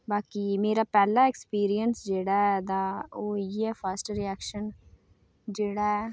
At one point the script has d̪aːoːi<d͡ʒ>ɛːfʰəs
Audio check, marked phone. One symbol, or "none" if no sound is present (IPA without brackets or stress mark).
none